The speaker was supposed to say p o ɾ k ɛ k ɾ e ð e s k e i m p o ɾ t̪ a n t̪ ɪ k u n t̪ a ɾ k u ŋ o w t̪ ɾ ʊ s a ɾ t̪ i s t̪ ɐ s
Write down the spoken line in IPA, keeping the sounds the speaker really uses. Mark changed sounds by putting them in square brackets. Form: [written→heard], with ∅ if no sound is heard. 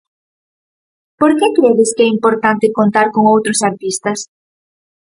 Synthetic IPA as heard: p o ɾ k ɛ k ɾ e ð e s k [e→ɛ] i m p o ɾ t̪ a n t̪ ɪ k [u→o] n t̪ a ɾ k [u→o] ŋ o w t̪ ɾ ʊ s a ɾ t̪ i s t̪ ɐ s